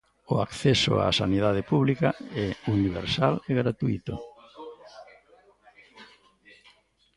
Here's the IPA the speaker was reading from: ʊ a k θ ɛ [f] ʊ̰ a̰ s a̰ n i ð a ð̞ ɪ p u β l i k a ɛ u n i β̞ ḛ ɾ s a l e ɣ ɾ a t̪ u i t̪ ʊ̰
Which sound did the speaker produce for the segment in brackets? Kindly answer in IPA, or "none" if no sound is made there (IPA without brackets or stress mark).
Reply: s